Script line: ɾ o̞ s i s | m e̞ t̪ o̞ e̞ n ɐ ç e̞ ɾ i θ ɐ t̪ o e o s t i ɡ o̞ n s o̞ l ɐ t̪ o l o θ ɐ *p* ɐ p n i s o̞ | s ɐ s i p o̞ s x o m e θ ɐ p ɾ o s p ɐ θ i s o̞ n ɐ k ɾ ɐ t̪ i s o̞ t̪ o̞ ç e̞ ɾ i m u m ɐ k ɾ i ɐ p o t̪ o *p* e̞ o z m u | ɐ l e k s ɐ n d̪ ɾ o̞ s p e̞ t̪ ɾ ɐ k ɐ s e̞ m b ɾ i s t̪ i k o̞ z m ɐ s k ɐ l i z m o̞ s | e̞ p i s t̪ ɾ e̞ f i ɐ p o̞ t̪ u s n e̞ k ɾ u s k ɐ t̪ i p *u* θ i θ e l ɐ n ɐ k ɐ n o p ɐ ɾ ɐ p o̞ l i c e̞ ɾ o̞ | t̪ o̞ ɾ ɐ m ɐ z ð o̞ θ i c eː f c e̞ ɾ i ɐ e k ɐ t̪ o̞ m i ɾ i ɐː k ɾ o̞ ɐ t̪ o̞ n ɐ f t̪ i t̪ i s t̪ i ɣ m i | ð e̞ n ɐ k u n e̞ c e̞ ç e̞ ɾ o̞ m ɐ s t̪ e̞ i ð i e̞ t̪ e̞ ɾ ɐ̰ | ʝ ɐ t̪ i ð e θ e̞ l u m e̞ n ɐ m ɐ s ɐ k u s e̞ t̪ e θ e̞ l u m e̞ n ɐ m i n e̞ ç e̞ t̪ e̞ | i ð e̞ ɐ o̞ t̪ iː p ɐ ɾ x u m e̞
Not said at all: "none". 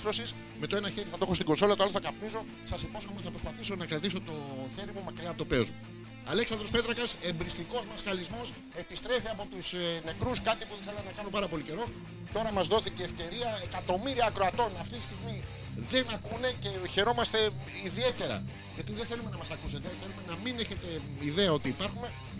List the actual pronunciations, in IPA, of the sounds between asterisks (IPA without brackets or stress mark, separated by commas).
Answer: k, p, u